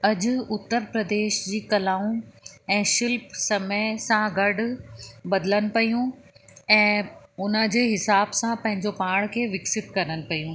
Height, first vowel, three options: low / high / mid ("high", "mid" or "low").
low